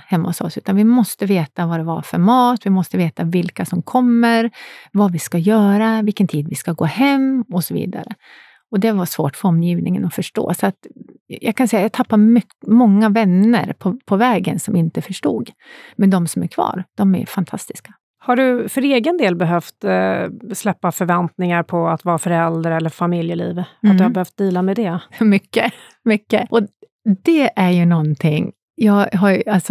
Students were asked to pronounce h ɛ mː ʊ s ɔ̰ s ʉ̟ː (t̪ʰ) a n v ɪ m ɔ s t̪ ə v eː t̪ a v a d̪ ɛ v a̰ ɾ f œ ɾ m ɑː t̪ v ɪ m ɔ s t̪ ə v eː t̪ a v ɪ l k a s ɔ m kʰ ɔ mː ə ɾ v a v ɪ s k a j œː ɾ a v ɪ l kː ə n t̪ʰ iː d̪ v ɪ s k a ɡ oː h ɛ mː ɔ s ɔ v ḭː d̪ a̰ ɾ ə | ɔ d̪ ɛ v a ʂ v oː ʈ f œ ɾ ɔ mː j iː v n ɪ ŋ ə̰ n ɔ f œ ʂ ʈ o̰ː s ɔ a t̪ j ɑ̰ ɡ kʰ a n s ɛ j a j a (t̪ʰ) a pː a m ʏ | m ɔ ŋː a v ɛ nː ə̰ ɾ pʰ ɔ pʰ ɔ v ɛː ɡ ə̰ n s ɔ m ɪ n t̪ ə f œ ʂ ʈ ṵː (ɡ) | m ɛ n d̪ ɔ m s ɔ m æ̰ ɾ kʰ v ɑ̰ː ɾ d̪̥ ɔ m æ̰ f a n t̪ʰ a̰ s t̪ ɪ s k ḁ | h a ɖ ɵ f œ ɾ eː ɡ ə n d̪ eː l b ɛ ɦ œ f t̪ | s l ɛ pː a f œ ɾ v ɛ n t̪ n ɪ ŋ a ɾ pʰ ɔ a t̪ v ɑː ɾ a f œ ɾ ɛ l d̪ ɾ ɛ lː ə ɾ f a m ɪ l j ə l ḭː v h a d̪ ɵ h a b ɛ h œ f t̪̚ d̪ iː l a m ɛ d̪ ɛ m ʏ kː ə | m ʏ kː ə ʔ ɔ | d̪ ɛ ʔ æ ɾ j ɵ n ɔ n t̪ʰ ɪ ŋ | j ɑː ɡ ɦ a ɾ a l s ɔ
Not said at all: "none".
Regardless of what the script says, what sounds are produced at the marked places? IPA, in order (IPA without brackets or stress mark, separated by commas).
t̪, t̪ʰ, ɡ